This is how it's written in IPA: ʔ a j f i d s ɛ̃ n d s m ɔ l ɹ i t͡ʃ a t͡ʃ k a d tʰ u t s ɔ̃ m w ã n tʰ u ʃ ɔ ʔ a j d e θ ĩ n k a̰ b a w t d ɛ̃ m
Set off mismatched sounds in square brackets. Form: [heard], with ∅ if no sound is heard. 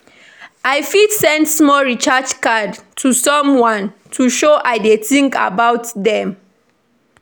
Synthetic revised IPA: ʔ a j f i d s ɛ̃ n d s m ɔ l ɹ i t͡ʃ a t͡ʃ k a d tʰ u [∅] s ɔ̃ m w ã n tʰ u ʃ [o] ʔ a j d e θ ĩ [ŋ] k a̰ b a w t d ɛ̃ m